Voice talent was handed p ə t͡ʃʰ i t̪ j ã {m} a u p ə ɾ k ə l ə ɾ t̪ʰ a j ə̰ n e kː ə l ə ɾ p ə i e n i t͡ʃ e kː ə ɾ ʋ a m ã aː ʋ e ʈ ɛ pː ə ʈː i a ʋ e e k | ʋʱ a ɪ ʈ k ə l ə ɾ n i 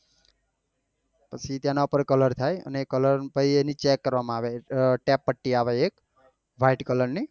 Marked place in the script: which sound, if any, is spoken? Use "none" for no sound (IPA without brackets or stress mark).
n